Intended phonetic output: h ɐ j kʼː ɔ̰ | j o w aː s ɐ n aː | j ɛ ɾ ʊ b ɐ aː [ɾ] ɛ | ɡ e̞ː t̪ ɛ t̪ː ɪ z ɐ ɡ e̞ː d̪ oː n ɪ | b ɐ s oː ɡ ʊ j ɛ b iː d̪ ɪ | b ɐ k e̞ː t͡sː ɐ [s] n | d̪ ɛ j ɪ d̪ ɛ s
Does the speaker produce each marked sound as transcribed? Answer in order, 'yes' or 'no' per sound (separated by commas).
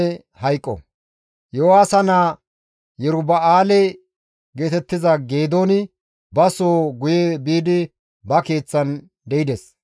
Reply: no, no